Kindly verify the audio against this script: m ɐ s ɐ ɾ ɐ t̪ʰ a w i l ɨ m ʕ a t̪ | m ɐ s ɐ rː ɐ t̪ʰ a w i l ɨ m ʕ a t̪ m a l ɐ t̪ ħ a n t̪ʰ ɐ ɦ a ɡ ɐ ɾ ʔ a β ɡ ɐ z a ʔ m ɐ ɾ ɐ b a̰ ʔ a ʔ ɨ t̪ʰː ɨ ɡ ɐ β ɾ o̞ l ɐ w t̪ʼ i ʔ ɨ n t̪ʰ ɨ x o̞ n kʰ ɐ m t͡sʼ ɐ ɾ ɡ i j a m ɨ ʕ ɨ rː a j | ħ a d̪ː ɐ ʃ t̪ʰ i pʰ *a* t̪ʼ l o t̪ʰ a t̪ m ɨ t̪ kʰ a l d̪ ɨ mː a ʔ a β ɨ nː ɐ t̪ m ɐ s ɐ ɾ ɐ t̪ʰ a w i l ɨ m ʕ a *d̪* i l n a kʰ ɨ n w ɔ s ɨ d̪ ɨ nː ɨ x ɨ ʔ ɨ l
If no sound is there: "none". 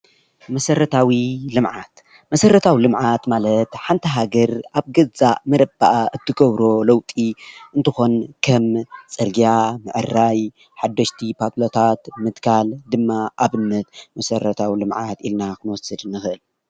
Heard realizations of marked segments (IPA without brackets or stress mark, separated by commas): a, t̪